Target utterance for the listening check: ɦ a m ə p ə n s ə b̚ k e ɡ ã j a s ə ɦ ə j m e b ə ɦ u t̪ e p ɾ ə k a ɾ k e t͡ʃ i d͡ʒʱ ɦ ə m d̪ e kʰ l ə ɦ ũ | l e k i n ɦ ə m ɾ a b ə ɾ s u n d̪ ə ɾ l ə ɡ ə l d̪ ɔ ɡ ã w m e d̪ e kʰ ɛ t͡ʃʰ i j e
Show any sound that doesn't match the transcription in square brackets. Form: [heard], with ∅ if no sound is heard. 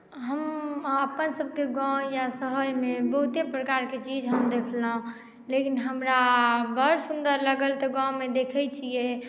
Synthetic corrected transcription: ɦ [ə] m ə p ə n s ə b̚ k e ɡ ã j a s ə ɦ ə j m e b ə ɦ u t̪ e p ɾ ə k a ɾ k e t͡ʃ i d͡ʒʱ ɦ ə m d̪ e kʰ l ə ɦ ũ | l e k i n ɦ ə m ɾ a b ə ɾ s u n d̪ ə ɾ l ə ɡ ə l [t̪] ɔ ɡ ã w m e d̪ e kʰ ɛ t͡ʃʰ i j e